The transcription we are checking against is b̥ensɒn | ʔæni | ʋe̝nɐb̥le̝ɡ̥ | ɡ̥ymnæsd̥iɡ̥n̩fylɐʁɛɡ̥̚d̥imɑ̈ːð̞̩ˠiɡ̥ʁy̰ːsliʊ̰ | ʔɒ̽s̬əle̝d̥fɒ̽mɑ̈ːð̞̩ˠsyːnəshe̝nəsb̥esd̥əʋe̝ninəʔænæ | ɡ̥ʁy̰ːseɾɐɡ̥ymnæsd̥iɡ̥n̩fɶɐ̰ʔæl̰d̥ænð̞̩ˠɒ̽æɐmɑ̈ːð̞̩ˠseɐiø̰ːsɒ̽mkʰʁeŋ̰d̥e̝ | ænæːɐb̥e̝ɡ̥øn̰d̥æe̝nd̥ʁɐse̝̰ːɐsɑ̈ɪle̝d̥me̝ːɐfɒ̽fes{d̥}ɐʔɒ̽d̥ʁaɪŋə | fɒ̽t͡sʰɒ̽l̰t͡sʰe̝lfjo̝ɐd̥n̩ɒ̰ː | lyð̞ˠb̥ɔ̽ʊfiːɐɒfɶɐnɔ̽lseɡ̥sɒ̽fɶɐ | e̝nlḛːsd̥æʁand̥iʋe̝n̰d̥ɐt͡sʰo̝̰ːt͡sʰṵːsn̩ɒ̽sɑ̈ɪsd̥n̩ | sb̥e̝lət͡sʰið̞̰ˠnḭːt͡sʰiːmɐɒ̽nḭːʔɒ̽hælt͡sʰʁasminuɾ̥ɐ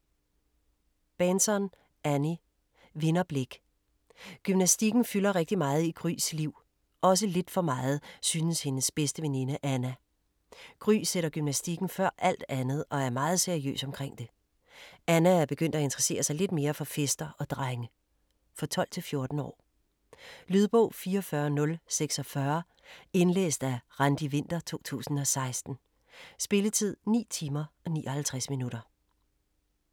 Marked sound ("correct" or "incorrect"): correct